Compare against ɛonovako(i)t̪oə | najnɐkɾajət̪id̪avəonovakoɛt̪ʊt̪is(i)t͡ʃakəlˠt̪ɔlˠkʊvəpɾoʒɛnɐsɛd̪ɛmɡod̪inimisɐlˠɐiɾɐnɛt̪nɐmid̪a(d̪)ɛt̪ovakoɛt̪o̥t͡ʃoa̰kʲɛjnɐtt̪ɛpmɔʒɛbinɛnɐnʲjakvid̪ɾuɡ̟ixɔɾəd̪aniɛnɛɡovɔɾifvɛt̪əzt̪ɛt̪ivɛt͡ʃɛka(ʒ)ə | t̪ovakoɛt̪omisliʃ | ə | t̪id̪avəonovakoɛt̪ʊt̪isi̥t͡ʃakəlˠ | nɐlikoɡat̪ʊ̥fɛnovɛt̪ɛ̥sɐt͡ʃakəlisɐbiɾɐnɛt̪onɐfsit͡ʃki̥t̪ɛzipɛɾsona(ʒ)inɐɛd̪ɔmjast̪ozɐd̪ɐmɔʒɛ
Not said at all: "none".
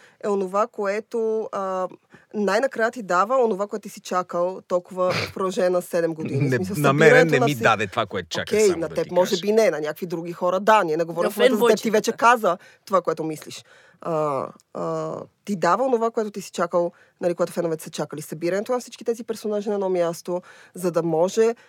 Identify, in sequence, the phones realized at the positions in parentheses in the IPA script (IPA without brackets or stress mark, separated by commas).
ɛ, i, d̪, z, ʒ